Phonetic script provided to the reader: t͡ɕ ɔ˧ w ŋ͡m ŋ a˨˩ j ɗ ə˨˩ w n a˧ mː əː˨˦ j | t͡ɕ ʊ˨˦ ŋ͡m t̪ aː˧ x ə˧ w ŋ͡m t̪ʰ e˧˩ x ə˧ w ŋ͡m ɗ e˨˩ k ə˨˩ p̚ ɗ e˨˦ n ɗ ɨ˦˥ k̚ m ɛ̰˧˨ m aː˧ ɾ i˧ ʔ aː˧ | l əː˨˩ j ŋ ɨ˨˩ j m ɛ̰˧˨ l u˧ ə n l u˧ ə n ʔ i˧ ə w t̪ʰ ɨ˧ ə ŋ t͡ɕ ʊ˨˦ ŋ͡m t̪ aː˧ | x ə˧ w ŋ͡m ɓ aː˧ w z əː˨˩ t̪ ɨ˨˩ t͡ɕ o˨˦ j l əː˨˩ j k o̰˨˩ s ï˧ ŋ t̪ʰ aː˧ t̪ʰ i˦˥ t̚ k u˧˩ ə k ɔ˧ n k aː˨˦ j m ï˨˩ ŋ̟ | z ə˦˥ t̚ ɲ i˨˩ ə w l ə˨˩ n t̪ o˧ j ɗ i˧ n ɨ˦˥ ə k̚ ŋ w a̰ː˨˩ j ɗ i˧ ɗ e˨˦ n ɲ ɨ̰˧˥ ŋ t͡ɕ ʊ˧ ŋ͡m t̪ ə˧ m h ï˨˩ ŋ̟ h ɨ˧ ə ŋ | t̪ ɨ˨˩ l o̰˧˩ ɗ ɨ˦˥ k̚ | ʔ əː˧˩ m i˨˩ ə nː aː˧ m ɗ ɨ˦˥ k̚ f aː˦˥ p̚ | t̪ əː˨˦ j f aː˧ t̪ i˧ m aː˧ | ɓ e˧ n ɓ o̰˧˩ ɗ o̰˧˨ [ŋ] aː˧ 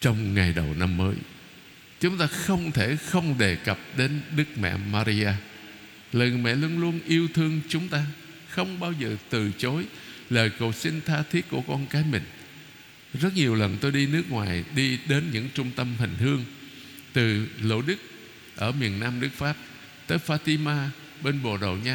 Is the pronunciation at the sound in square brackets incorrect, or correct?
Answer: incorrect